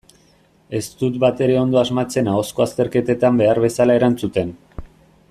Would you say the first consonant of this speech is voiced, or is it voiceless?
voiceless